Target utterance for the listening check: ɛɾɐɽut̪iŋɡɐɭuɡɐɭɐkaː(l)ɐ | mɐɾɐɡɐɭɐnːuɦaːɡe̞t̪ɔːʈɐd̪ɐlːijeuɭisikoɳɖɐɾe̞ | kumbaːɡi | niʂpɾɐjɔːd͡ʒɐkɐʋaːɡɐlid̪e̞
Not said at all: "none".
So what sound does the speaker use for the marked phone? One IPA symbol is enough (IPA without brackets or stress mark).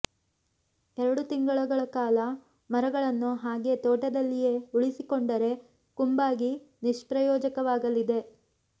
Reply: l